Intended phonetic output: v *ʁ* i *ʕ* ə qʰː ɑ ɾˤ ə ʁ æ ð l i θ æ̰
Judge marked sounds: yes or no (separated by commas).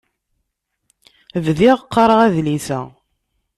no, no